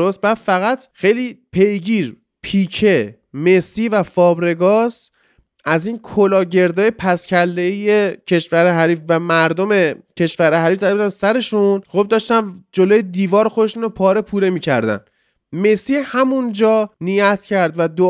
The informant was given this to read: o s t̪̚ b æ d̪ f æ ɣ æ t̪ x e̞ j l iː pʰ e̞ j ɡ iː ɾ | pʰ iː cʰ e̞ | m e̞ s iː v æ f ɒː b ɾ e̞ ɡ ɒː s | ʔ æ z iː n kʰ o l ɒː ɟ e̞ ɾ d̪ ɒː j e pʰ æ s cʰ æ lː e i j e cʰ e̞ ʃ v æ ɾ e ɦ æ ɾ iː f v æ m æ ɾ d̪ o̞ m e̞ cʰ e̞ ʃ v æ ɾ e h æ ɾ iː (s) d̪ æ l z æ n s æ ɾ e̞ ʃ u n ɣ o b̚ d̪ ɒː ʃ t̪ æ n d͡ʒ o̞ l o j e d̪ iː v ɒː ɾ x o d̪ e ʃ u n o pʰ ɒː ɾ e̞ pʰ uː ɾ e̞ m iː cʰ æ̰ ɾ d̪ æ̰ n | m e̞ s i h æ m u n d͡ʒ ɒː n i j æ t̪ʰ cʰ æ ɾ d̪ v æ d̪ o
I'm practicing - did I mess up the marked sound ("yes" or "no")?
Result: yes